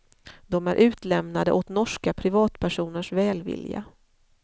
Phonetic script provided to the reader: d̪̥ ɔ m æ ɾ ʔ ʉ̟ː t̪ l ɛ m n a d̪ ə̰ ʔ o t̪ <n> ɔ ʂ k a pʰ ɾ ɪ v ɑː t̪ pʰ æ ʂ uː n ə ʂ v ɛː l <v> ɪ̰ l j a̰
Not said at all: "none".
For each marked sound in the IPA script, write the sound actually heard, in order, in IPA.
n, v

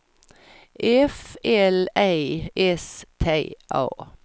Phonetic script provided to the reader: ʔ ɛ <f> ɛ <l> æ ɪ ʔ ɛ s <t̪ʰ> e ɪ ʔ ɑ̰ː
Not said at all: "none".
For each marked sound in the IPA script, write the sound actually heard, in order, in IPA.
f, l, t̪ʰ

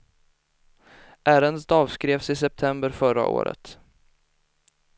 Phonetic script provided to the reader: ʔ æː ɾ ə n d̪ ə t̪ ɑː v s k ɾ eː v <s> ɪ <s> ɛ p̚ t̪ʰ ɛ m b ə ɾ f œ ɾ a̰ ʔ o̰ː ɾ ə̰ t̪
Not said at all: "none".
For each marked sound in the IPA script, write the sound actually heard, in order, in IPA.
s, s

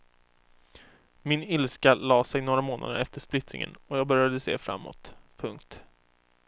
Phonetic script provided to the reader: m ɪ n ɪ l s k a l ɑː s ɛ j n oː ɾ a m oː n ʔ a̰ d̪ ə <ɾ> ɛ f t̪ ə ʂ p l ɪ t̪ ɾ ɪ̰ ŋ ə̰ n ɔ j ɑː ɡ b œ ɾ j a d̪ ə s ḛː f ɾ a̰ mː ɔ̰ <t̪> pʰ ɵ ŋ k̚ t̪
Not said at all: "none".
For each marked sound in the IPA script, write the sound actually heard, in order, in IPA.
ɾ, t̪

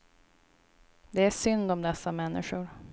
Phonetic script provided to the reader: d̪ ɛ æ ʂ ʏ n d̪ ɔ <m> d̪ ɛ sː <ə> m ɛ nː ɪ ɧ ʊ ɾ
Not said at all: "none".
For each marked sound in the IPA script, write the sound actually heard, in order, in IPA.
m, a

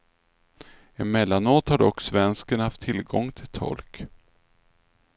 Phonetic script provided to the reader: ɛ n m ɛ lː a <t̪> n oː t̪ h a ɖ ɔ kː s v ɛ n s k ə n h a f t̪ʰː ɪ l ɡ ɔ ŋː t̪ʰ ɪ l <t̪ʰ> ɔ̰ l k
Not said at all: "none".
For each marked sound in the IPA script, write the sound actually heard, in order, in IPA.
none, t̪ʰ

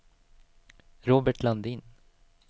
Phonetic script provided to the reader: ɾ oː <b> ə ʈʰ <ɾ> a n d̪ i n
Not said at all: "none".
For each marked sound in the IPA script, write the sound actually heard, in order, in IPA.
b, l

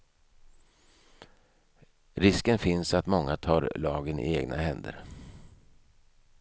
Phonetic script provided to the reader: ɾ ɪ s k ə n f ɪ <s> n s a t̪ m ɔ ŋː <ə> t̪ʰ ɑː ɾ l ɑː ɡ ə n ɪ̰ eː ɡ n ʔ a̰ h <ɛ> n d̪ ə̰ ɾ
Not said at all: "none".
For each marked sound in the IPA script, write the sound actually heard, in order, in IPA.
none, a, ɛ

